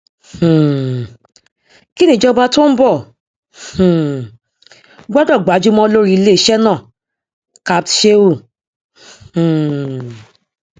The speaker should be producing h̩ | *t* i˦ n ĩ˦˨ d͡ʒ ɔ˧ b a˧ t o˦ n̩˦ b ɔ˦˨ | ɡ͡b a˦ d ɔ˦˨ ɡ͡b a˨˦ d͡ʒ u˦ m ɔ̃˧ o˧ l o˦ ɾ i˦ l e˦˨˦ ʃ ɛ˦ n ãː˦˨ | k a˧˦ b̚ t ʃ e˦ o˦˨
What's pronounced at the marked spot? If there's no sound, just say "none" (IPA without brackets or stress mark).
k